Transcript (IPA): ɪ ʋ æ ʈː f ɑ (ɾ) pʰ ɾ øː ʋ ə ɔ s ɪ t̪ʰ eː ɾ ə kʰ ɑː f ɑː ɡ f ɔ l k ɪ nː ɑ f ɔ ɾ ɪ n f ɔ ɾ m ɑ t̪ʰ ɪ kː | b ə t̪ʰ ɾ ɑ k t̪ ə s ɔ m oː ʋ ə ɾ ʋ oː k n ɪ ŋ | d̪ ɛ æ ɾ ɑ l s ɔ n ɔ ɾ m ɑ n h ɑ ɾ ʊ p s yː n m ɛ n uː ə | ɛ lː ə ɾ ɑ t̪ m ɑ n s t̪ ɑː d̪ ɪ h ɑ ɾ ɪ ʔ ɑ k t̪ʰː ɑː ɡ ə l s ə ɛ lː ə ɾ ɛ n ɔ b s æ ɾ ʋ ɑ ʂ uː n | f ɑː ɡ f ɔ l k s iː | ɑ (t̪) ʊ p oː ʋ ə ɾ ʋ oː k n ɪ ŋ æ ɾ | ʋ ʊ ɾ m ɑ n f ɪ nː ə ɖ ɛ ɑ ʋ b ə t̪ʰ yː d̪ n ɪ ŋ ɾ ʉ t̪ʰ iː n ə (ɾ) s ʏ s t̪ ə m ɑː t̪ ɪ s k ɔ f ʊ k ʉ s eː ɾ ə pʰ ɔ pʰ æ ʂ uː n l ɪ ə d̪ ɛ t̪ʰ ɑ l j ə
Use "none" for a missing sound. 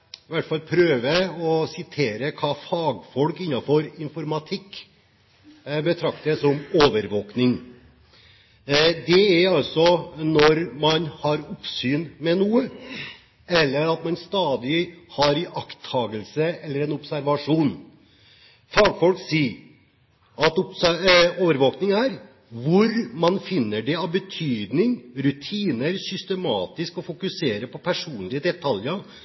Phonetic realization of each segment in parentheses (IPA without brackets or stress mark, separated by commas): l, t̪, ɾ